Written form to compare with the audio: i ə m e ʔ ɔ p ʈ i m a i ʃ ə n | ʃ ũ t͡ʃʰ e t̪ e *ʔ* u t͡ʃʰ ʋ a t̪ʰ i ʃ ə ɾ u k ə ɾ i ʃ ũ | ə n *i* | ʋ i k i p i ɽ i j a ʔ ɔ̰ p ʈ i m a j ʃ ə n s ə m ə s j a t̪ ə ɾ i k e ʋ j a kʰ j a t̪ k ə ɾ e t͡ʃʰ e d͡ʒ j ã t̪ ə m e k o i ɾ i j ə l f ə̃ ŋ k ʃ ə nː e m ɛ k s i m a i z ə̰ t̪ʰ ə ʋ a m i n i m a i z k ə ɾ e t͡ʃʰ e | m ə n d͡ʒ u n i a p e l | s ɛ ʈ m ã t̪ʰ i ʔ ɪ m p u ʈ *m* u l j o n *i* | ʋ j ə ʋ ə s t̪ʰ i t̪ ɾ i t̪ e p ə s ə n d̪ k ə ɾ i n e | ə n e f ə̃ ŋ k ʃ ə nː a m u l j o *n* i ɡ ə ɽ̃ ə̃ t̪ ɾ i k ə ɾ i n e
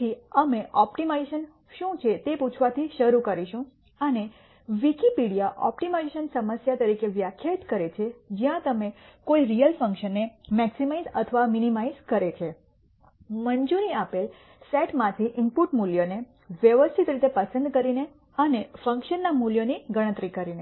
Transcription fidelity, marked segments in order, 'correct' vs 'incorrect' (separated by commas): incorrect, incorrect, correct, incorrect, correct